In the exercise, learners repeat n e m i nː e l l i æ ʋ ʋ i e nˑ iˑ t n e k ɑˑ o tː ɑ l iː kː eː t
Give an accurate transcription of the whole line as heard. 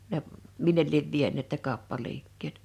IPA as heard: n e m i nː e l l i e ʋ ʋ i e nˑ eˑ t n e k ɑˑ o pː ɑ l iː kː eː t